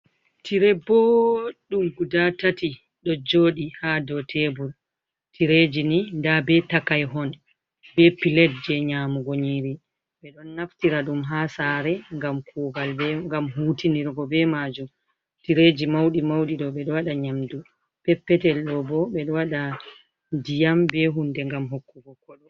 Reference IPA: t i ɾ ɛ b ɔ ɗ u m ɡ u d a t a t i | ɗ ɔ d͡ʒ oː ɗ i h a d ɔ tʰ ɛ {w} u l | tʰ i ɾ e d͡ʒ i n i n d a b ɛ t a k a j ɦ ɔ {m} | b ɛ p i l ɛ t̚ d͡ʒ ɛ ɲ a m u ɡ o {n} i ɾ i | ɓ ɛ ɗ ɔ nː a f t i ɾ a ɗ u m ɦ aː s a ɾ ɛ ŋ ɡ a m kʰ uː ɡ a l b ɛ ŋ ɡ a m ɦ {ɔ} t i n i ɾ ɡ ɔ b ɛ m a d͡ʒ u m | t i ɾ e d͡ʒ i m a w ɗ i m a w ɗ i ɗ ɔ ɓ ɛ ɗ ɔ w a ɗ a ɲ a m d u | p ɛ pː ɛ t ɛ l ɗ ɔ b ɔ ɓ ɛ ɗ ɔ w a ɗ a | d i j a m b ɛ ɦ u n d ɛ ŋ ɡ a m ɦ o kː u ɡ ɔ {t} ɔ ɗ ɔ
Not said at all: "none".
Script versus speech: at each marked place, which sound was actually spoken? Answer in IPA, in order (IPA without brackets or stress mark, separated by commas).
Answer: b, n, ɲ, u, k